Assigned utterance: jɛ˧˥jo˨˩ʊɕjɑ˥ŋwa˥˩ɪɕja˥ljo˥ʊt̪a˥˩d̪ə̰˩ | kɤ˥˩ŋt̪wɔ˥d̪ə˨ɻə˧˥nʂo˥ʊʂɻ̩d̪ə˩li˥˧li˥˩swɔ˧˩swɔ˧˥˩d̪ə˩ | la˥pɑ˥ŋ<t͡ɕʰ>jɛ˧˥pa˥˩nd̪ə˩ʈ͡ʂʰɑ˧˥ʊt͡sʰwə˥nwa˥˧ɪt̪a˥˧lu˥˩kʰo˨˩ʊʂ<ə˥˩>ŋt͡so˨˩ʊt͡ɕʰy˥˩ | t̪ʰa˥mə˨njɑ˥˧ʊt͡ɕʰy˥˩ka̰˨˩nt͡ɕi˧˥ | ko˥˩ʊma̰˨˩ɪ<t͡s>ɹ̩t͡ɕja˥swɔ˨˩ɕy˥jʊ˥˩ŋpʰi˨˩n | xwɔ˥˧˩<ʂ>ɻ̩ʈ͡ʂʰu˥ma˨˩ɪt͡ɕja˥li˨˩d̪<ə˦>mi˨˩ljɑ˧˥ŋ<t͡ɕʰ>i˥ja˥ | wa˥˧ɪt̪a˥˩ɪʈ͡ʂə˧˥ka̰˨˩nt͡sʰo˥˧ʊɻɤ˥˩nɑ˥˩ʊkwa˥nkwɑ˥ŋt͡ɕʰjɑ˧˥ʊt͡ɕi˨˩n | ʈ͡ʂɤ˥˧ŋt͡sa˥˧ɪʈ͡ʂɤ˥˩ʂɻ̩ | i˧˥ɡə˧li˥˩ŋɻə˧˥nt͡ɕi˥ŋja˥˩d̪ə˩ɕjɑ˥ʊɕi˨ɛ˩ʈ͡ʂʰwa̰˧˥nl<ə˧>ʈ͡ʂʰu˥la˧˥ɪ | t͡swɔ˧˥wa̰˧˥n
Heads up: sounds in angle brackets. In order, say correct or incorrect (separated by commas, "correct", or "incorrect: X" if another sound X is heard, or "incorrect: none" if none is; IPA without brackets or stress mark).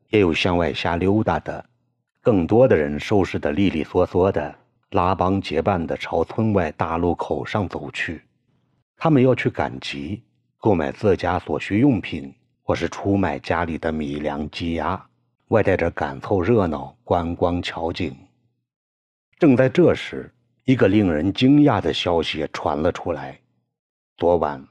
incorrect: t͡ɕ, incorrect: ɑ˥˩, correct, correct, correct, incorrect: t͡ɕ, correct